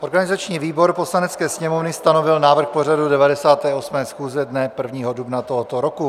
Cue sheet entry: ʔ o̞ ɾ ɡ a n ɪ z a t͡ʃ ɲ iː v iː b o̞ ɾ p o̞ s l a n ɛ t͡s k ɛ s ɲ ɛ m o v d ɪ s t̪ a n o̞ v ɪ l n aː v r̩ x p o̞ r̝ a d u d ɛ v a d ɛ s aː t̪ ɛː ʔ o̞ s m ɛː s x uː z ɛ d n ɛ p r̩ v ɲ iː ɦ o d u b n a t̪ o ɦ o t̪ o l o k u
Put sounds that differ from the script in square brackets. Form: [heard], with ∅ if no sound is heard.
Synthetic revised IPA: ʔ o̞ ɾ ɡ a n ɪ z a t͡ʃ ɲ iː v iː b o̞ ɾ p o̞ s l a n ɛ t͡s k [ɛː] s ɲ ɛ m o v [n] ɪ s t̪ a n o̞ v ɪ l n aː v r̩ x p o̞ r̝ a d u d ɛ v a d ɛ s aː t̪ ɛː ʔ o̞ s m ɛː s x uː z ɛ d n ɛ p r̩ v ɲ iː ɦ o d u b n a t̪ o ɦ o t̪ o [ɾ] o k u